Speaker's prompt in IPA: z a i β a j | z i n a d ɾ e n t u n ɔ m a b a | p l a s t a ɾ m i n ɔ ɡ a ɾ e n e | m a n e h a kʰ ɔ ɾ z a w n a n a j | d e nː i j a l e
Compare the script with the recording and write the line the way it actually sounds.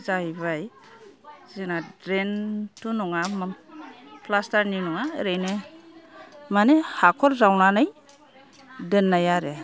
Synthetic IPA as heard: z a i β a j | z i n a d ɾ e n t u n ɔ ŋ a m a | p l a s t a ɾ n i n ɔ ŋ a ɾ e n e | m a n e h a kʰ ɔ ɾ z a w n a n a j | d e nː a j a ɾ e